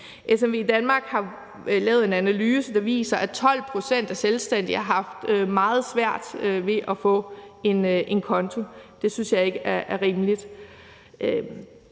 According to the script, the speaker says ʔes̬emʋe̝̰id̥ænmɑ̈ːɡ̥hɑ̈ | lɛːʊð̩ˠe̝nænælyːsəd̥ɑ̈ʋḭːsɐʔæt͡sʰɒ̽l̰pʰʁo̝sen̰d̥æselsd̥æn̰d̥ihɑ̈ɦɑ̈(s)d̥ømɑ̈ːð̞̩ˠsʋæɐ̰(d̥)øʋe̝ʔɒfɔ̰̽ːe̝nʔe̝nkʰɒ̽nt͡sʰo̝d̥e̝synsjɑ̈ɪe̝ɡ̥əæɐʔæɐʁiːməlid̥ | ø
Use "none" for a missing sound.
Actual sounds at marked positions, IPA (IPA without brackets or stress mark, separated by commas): f, d̥